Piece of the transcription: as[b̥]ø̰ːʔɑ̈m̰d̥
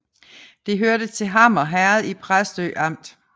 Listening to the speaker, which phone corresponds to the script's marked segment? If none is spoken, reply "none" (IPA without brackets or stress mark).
d̥